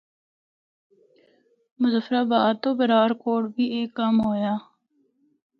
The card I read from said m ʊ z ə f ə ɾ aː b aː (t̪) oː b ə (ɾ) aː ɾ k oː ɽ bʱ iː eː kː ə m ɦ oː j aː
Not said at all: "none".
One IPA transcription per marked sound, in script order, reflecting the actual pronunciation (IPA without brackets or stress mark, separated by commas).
t̪, ɾ